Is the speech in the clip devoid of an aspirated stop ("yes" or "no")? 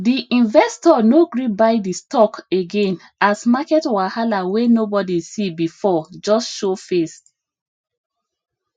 yes